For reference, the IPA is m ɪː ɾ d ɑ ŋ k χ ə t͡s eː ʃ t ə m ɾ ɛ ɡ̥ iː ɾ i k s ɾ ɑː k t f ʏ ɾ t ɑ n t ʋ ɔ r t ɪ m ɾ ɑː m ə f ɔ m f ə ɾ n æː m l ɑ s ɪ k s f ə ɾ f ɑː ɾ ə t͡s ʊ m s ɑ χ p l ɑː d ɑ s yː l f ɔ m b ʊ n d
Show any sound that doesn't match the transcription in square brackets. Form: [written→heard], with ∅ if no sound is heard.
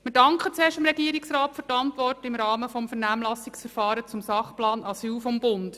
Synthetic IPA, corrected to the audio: m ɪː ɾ d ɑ ŋ k χ ə t͡s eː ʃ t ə m ɾ ɛ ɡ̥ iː ɾ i k s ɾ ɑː [k→t] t f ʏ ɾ t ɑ n t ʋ ɔ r t ɪ m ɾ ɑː m ə f ɔ m f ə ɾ n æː m l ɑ s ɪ k s f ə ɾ f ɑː ɾ ə t͡s ʊ m s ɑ χ p l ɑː [d→n] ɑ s yː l f ɔ m b ʊ n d